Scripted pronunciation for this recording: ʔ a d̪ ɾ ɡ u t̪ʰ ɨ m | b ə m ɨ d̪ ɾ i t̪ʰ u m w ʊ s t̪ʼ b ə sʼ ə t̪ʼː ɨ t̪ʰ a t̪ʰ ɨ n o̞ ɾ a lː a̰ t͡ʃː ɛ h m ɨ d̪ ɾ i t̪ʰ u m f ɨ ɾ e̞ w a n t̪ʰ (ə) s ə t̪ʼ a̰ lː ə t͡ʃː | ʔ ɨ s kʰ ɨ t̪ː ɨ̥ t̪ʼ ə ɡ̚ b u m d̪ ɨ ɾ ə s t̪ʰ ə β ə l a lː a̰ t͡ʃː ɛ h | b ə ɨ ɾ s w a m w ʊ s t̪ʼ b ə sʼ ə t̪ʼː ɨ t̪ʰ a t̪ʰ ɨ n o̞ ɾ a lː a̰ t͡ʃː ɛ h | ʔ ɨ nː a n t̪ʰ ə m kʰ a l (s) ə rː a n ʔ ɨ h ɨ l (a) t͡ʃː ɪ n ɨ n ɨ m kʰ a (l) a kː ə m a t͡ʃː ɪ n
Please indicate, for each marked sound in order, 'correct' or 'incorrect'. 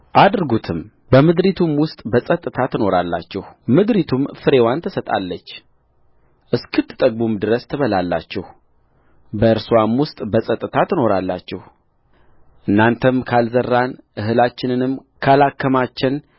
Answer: correct, incorrect, correct, correct

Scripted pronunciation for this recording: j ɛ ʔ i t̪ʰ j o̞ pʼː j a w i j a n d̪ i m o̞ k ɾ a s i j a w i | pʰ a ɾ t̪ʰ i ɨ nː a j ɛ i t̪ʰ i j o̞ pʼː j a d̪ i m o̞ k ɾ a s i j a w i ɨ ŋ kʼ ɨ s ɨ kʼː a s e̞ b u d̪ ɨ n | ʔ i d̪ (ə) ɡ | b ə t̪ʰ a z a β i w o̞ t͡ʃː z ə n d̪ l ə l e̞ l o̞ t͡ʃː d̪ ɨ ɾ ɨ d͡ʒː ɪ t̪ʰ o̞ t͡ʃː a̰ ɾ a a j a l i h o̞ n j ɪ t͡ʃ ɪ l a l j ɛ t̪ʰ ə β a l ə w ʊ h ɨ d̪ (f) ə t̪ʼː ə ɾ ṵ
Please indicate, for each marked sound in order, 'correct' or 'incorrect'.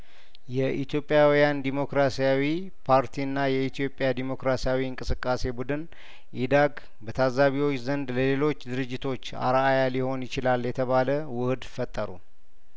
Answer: incorrect, correct

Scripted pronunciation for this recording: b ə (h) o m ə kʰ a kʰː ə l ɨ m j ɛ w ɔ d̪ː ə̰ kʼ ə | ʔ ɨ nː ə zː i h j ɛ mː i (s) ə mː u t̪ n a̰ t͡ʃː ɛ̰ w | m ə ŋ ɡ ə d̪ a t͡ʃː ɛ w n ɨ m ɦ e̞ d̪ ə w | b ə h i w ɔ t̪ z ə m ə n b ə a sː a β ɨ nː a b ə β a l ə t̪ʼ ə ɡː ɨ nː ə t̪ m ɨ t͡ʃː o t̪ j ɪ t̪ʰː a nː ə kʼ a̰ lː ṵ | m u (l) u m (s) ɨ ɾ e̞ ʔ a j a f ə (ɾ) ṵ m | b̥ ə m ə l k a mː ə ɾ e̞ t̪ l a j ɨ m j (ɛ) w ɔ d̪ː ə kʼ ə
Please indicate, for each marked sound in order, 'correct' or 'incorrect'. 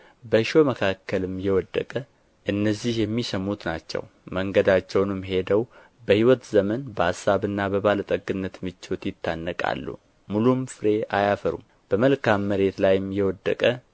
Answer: incorrect, correct, correct, incorrect, correct, correct

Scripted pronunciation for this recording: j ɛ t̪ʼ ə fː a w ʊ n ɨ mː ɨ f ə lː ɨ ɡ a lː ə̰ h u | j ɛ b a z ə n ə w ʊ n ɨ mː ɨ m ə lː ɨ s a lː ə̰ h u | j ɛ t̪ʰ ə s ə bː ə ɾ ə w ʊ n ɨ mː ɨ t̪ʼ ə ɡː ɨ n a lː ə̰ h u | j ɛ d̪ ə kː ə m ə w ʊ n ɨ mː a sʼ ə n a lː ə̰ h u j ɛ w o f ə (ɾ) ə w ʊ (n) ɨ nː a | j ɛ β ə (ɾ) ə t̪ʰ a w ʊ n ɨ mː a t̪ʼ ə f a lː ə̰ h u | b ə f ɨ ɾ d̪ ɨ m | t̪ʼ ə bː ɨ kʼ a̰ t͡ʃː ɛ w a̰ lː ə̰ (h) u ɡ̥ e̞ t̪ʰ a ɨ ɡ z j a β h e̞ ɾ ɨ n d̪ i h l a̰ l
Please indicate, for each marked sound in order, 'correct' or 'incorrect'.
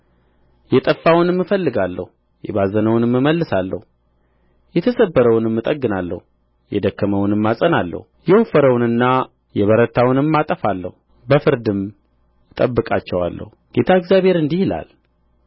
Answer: correct, correct, correct, correct

